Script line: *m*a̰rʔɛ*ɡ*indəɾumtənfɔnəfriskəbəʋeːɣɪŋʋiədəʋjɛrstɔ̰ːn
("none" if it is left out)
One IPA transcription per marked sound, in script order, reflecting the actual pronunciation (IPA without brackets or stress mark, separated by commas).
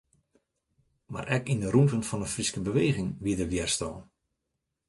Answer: m, k